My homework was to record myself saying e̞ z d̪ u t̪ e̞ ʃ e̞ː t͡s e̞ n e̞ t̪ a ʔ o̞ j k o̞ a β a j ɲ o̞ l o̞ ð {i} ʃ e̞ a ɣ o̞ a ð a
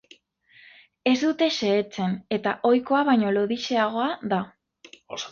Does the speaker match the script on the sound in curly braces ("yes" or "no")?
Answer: yes